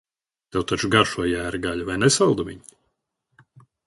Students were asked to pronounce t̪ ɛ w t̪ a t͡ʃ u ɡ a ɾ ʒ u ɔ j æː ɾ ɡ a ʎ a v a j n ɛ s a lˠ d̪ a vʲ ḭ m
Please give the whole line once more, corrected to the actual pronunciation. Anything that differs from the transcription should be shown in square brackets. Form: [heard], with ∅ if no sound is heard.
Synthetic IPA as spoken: t̪ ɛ w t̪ a t͡ʃ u ɡ a ɾ [ʃ] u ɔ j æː ɾ ɡ a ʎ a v a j n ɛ s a lˠ d̪ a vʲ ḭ [ɲ]